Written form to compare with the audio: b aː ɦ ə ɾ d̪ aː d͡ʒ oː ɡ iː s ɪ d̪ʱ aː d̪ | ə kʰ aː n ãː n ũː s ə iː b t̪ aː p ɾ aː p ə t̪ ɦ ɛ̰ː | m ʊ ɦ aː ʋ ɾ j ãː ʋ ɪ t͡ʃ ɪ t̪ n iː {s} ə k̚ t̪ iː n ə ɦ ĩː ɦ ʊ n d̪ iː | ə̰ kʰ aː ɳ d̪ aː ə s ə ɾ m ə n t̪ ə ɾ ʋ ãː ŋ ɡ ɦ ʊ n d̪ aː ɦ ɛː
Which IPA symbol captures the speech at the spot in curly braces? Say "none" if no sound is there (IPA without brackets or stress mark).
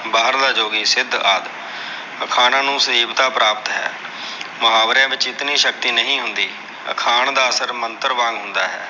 ʃ